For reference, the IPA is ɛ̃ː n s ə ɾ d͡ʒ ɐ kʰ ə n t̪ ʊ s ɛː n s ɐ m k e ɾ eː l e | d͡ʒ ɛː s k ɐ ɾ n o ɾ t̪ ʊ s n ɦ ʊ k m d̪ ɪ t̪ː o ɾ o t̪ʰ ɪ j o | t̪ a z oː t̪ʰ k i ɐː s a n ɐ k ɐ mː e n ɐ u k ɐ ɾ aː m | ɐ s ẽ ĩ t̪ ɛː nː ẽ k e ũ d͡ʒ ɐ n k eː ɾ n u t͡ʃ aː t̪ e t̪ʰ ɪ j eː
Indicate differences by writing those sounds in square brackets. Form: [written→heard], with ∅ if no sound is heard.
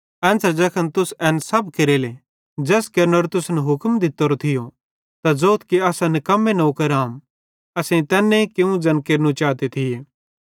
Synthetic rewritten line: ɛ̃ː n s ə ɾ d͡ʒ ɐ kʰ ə n t̪ ʊ s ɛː n s ɐ [m→b] k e ɾ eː l e | d͡ʒ ɛː s k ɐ ɾ n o ɾ t̪ ʊ s n ɦ ʊ k m d̪ ɪ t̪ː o ɾ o t̪ʰ ɪ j o | t̪ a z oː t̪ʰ k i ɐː s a n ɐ k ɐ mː e n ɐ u k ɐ ɾ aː m | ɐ s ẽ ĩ t̪ ɛː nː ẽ k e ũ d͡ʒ ɐ n k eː ɾ n u t͡ʃ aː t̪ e t̪ʰ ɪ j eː